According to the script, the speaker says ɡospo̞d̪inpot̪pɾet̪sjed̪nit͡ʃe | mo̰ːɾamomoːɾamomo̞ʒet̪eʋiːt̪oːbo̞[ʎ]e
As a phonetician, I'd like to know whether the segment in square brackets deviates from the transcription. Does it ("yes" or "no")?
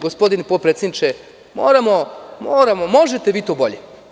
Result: no